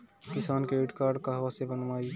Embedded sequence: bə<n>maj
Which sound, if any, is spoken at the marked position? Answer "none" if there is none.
n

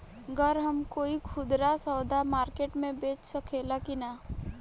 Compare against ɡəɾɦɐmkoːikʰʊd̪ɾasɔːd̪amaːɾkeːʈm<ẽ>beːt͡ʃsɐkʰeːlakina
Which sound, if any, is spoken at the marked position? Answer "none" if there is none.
ẽ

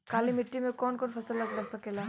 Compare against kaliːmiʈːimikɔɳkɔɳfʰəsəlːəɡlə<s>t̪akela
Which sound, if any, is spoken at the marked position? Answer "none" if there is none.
s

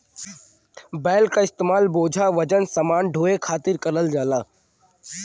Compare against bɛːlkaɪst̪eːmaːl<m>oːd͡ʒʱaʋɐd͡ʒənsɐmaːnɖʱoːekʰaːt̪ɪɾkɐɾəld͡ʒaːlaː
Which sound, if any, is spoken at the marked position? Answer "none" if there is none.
b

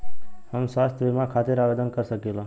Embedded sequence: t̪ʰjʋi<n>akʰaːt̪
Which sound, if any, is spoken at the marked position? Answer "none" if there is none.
m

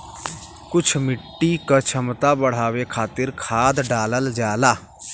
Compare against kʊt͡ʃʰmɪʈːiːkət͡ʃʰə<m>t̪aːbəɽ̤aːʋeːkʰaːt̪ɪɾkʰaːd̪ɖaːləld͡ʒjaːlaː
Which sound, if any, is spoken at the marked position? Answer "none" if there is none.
m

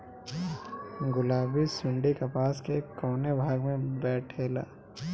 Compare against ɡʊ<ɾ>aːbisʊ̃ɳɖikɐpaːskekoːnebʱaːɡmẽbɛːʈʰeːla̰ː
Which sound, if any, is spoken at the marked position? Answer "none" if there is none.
l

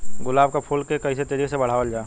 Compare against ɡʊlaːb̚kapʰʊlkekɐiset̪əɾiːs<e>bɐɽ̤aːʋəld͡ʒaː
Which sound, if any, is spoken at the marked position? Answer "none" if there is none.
e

